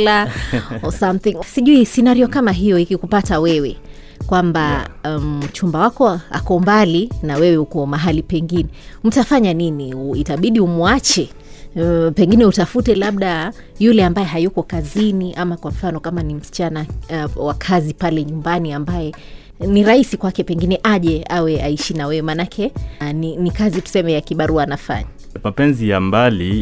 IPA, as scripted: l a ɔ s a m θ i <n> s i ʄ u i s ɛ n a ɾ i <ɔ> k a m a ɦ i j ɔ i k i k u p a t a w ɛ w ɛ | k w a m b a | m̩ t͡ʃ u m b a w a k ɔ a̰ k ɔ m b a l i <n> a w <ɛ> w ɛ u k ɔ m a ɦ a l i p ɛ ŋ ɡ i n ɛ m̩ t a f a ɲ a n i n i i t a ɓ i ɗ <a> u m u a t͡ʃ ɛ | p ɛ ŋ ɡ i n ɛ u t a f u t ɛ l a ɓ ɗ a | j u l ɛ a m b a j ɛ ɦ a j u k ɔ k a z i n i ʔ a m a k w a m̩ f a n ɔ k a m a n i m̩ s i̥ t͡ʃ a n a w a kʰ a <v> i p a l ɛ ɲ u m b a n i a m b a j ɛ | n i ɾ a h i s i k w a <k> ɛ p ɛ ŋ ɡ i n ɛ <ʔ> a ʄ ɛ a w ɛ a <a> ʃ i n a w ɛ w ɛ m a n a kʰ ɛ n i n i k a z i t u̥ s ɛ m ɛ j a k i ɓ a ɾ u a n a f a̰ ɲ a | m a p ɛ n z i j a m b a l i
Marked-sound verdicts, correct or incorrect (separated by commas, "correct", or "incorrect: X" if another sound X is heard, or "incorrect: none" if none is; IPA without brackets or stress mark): incorrect: ŋ, correct, correct, correct, incorrect: i, incorrect: z, correct, correct, incorrect: i